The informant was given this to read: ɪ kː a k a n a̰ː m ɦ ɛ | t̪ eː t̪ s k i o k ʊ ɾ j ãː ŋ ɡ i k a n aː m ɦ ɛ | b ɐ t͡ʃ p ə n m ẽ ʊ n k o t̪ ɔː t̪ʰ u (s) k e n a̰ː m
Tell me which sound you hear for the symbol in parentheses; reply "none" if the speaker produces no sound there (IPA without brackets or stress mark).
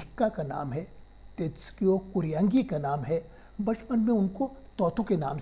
none